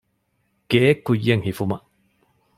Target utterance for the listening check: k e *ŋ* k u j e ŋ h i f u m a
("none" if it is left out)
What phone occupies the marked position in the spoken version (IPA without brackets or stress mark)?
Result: none